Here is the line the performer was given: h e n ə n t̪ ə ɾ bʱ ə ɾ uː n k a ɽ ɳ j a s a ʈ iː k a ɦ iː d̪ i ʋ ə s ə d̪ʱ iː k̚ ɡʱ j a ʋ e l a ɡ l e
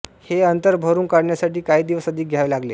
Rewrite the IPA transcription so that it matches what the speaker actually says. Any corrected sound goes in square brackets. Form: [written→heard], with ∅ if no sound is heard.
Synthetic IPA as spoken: h e [n→∅] ə n t̪ ə ɾ bʱ ə ɾ uː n k a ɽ ɳ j a s a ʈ iː k a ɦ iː d̪ i ʋ ə s ə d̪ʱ iː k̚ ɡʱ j a ʋ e l a ɡ l e